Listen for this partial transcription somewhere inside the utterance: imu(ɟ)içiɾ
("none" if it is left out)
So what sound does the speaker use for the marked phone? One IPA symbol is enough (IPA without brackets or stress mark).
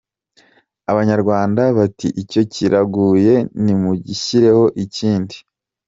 ɟ